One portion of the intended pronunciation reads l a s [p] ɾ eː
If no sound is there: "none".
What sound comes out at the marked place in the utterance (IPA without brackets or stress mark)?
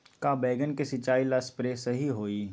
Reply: p